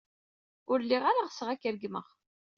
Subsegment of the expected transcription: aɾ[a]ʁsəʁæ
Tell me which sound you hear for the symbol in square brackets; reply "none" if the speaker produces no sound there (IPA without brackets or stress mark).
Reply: a